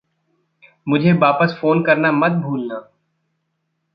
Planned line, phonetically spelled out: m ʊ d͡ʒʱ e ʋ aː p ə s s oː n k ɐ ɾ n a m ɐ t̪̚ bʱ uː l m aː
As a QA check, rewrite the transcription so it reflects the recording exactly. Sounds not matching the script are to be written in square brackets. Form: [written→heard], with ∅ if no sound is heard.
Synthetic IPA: m ʊ d͡ʒʱ e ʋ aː p ə s [s→f] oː n k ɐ ɾ n a m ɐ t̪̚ bʱ uː l [m→n] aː

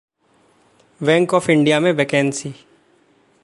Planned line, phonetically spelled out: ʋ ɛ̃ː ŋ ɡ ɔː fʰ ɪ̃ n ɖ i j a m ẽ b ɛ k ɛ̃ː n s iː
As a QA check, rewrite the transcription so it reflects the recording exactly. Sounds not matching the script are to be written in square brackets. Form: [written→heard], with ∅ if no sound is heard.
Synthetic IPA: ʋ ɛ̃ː ŋ [ɡ→k] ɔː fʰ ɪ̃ [n→ɳ] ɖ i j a m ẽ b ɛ k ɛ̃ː n s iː

